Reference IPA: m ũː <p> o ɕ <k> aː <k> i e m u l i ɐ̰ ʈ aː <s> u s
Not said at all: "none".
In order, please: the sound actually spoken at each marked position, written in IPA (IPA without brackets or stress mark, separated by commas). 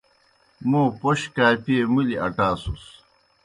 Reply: p, k, p, s